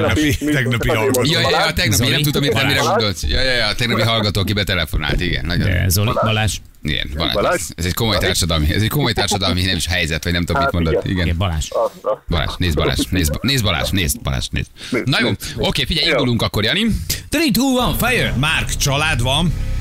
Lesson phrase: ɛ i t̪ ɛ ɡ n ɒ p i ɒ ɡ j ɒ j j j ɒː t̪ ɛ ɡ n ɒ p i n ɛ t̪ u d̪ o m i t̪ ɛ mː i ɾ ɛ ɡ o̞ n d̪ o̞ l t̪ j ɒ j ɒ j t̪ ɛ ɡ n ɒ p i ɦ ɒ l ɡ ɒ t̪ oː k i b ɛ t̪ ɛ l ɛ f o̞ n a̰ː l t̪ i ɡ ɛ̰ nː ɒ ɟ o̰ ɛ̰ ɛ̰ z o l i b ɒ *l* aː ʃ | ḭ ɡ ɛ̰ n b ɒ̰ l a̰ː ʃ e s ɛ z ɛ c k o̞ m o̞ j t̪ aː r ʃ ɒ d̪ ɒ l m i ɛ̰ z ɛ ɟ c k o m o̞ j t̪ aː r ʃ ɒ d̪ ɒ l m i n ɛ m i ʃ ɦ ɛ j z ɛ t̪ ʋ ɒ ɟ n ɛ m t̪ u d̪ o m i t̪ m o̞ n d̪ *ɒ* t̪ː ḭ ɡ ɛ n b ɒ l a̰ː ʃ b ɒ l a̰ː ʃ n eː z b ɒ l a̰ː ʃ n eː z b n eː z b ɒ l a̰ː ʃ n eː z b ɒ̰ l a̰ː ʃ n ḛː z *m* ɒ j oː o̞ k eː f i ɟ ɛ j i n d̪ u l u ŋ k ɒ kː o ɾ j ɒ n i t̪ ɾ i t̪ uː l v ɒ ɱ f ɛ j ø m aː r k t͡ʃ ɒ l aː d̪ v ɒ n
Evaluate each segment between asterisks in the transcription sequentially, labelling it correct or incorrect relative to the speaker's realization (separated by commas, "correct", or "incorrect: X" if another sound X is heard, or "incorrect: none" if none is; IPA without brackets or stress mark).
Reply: correct, incorrect: o, incorrect: n